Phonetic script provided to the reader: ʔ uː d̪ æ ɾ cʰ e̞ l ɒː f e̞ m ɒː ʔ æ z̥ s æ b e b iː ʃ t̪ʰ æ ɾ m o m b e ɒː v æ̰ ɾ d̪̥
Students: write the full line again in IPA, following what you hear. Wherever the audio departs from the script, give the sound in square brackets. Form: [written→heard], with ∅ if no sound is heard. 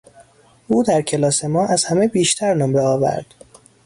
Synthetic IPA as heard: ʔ uː d̪ æ ɾ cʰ e̞ l ɒː [f→s] e̞ m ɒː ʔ æ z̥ [s→h] æ [b→m] e b iː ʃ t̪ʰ æ ɾ [m→n] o m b e ɒː v æ̰ ɾ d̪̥